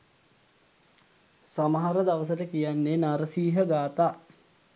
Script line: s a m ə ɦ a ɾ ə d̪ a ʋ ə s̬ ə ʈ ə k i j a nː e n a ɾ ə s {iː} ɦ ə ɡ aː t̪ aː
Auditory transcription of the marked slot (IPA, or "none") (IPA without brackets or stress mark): iː